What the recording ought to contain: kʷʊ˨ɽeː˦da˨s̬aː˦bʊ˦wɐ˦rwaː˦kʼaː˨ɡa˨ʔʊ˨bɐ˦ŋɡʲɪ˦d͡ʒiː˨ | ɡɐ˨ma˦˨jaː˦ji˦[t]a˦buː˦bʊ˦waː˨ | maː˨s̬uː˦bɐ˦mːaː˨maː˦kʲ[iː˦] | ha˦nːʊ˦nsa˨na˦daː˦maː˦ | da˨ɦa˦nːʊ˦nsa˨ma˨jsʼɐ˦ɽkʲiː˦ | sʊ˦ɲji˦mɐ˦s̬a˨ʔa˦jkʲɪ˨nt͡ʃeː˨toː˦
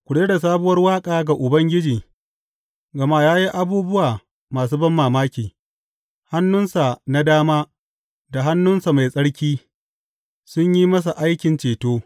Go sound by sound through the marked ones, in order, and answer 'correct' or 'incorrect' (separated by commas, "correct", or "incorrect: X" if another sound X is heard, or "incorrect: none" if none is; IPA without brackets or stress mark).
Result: incorrect: ʔ, incorrect: iː˨